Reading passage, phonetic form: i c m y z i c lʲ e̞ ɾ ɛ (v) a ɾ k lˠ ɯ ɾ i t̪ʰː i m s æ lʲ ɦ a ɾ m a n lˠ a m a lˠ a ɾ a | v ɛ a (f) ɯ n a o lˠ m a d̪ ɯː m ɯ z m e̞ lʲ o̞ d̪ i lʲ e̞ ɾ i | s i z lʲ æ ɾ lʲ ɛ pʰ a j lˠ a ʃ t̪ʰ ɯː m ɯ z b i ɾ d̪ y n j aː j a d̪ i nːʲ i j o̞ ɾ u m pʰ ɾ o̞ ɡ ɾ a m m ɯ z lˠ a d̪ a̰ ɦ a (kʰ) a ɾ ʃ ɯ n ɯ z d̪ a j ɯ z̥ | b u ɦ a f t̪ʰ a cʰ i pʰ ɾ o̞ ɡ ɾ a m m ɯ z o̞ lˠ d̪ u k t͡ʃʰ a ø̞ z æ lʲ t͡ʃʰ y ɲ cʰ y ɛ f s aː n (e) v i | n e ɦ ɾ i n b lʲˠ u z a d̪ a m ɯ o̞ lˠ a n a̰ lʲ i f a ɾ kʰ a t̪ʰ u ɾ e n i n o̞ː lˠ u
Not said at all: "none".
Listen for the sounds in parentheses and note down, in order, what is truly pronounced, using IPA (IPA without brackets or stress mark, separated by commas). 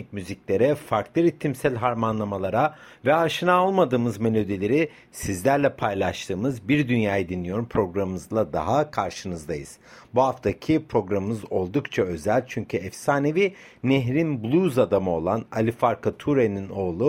f, ʃ, kʰ, e